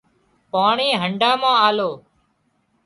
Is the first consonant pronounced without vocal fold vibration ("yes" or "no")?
yes